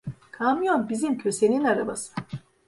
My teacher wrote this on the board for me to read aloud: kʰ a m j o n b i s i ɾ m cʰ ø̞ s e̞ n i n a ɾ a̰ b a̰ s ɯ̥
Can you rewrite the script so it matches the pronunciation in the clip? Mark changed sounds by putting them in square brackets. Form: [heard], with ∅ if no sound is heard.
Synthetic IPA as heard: kʰ a m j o n b i [z] i [∅] m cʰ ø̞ s e̞ n i n a ɾ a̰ b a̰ s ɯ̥